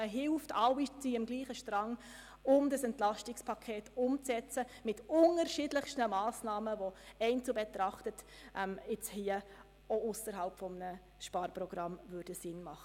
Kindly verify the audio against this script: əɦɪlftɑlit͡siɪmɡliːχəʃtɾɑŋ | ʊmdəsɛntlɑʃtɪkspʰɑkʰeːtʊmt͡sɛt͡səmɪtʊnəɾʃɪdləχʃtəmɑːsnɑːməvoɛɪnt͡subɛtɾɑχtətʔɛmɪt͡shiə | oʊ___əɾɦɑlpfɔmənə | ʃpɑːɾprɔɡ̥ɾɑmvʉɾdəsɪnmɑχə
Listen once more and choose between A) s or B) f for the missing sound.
A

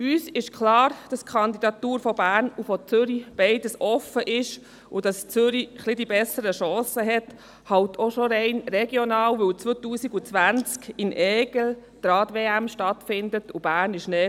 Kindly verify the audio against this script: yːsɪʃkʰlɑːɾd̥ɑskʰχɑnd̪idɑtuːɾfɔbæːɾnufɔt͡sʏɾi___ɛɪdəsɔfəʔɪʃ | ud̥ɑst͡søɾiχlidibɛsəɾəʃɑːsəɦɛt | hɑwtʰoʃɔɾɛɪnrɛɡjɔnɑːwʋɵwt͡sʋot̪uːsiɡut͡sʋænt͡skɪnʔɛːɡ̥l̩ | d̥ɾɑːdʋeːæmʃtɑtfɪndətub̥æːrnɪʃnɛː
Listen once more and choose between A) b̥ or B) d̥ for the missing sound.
A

